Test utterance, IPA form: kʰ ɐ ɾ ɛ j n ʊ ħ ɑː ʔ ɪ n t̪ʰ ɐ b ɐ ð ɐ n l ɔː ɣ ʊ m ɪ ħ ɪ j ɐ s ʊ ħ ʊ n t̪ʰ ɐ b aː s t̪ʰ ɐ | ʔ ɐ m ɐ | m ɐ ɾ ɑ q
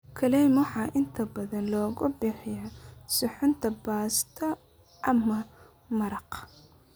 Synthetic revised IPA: kʰ ɐ l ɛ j m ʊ ħ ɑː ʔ ɪ n t̪ʰ ɐ b ɐ ð ɐ n l ɔː ɣ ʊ b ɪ ħ ɪ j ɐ s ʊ ħ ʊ n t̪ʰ ɐ b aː s t̪ʰ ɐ | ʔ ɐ m ɐ | m ɐ ɾ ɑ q